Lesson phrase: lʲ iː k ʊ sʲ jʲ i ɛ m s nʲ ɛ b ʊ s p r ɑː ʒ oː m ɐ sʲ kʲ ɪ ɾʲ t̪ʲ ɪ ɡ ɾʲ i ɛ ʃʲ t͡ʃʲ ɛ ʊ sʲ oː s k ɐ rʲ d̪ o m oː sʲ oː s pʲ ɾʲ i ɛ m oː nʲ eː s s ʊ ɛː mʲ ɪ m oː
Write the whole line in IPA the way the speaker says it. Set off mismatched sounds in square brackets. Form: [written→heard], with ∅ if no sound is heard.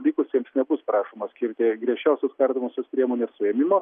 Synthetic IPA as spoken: lʲ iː k ʊ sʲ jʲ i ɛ m s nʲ ɛ b ʊ s p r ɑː [ʒ→ʃ] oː m ɐ sʲ kʲ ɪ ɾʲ t̪ʲ ɪ ɡ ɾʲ i ɛ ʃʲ t͡ʃʲ ɛ ʊ sʲ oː s k ɐ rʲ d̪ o m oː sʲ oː s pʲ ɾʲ i ɛ m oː nʲ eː s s ʊ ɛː mʲ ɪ m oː